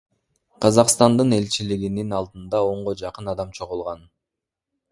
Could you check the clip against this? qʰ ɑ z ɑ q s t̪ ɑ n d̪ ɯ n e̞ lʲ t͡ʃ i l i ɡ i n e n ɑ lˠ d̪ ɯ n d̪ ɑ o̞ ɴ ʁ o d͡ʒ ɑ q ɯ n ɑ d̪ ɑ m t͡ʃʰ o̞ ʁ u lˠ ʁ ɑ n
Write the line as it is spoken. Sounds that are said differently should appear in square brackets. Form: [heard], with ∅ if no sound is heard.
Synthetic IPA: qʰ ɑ z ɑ q s t̪ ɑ n d̪ ɯ n e̞ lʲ t͡ʃ i l i ɡ i n [i] n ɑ lˠ d̪ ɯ n d̪ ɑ o̞ ɴ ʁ o d͡ʒ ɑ q ɯ n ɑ d̪ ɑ m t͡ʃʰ o̞ ʁ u lˠ ʁ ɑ n